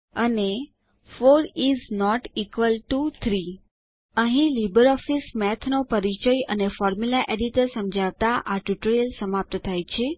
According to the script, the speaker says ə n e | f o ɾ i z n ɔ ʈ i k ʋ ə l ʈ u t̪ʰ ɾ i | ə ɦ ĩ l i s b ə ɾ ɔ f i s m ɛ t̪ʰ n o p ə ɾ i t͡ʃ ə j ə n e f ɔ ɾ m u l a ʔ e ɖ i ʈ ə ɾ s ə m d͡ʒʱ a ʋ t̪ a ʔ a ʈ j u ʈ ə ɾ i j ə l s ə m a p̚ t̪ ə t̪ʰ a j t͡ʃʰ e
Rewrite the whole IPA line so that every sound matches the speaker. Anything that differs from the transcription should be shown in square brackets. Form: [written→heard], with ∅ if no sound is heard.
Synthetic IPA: ə n e | f o ɾ i z n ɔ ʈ i k ʋ ə l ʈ u t̪ʰ ɾ i | ə ɦ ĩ l i [s→∅] b ə ɾ ɔ f i s m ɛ t̪ʰ n o p ə ɾ i t͡ʃ ə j ə n e f ɔ ɾ m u l a ʔ e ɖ i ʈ ə ɾ s ə m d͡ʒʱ a ʋ t̪ a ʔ a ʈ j u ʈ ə ɾ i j ə l s ə m a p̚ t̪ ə t̪ʰ a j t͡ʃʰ e